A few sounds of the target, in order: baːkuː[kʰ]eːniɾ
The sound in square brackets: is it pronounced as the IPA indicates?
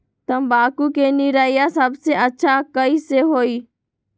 no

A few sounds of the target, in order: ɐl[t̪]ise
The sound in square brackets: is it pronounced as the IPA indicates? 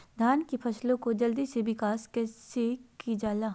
no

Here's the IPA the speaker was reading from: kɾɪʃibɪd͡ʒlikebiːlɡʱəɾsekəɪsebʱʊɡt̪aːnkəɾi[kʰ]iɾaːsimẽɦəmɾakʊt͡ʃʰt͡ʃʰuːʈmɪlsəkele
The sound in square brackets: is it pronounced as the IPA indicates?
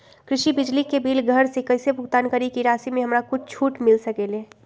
no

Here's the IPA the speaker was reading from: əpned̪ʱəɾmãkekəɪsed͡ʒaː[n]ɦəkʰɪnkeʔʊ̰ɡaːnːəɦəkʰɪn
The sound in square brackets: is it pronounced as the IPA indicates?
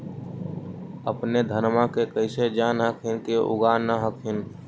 yes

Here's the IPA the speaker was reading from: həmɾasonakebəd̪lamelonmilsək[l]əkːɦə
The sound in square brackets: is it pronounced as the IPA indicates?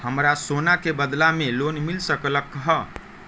yes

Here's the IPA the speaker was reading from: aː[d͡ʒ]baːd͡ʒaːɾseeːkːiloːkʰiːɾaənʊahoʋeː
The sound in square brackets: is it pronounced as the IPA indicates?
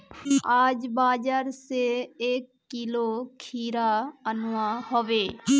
yes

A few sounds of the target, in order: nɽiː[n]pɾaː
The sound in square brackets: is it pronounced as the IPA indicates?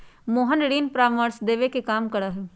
yes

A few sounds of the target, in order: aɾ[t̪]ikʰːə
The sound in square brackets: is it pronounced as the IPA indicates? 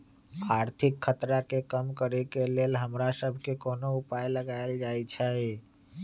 no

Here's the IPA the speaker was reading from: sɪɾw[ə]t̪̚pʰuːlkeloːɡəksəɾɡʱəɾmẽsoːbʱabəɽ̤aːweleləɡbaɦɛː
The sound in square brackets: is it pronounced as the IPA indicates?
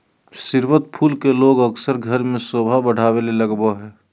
yes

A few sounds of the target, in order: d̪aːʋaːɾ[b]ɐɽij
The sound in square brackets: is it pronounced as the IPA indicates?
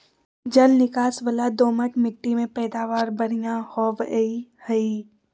yes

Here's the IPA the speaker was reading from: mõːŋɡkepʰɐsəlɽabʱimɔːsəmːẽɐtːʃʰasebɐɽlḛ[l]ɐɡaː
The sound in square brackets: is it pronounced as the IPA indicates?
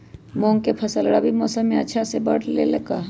yes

